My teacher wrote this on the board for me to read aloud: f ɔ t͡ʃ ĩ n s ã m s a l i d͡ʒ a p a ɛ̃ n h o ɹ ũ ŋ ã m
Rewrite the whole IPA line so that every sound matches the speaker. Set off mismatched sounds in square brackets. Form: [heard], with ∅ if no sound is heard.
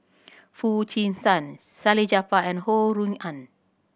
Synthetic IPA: f [u] t͡ʃ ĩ n s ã [n] s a l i d͡ʒ a p a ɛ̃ n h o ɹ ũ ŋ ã [n]